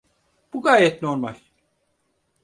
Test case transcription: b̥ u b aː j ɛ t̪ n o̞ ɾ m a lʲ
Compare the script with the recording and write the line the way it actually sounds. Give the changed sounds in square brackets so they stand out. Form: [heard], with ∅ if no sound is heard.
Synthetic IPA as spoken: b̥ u [ɡ] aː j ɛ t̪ n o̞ ɾ m a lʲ